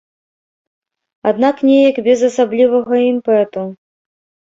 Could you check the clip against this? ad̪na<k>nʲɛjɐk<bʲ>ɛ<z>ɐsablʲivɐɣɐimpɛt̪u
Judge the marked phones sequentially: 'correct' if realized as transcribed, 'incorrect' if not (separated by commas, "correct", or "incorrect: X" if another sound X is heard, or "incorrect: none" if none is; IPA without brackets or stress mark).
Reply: correct, correct, correct